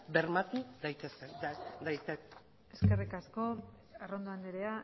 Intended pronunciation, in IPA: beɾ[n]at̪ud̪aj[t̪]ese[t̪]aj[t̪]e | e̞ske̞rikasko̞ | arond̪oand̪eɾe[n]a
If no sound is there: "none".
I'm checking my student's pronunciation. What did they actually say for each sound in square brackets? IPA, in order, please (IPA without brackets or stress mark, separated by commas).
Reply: m, t̪, d̪, t̪, none